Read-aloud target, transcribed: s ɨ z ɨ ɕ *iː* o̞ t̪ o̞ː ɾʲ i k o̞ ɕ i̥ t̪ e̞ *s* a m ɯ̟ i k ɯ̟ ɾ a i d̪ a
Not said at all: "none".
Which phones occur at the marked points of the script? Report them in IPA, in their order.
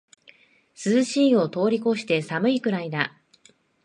iː, s

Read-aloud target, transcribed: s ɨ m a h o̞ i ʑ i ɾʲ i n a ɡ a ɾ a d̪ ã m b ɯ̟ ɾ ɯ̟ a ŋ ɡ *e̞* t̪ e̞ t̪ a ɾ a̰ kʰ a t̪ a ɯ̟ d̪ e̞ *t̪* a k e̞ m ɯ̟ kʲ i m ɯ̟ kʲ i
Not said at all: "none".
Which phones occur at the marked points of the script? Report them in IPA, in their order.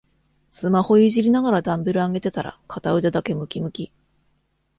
e̞, d̪

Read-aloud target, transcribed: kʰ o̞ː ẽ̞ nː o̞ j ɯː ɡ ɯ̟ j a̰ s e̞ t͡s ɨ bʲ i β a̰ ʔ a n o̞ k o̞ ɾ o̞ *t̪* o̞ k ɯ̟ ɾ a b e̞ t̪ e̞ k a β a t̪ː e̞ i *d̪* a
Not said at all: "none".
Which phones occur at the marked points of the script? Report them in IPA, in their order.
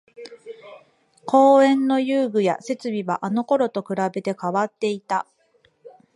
t̪, t̪

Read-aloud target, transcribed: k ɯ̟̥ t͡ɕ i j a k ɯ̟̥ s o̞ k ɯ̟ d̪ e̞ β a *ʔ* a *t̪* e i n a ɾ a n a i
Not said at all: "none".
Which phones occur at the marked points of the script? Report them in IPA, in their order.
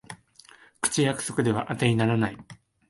ʔ, t̪

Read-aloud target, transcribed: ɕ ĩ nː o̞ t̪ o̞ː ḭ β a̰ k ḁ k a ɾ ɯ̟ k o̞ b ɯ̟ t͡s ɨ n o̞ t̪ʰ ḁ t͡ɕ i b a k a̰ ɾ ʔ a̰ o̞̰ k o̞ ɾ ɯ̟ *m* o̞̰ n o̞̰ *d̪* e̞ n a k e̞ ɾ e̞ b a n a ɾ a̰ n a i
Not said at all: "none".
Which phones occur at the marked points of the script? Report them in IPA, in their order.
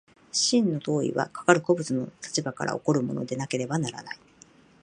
m, d̪

